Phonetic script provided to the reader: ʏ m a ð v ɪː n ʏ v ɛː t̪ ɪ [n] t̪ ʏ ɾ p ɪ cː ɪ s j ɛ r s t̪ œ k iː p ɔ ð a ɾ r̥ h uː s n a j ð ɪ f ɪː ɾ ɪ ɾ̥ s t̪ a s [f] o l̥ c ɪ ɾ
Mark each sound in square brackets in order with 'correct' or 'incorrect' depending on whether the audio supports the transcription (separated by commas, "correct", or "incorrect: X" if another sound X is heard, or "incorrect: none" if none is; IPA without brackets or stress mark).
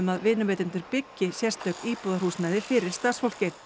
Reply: correct, correct